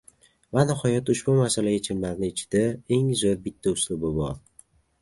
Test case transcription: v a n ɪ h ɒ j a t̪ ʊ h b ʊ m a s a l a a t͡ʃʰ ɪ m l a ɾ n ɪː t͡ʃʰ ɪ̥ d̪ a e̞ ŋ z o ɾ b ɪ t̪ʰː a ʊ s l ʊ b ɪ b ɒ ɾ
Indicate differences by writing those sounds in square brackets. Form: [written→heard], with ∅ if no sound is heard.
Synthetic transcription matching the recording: v a n ɪ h ɒ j a t̪ ʊ [h→ʃ] b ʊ m a s a l a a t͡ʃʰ ɪ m l a ɾ n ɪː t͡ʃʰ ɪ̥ d̪ a e̞ ŋ z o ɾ b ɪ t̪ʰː a ʊ s l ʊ b ɪ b ɒ ɾ